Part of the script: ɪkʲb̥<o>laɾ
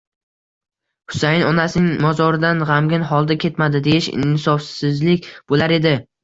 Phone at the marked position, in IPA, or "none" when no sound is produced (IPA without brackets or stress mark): o